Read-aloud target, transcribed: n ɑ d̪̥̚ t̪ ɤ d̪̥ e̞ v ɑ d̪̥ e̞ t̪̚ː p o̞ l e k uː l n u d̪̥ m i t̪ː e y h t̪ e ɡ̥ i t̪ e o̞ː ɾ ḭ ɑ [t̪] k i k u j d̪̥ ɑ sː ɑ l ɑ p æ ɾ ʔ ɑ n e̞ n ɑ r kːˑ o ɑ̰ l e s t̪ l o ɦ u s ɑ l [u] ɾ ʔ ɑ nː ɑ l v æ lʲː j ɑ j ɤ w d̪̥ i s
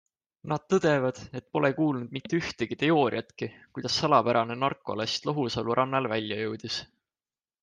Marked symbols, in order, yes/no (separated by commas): yes, yes